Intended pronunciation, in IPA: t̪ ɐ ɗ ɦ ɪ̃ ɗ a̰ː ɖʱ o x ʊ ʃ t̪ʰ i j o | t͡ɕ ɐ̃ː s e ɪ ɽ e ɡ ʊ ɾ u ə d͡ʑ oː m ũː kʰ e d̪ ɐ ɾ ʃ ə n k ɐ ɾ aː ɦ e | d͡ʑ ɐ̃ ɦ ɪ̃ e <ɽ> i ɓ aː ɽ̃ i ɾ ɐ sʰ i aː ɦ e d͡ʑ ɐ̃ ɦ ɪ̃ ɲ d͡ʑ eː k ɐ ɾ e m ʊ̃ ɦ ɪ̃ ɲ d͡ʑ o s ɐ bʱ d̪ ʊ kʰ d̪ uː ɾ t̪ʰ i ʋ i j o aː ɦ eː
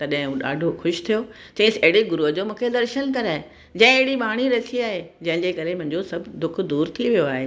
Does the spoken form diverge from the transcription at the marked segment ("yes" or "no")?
no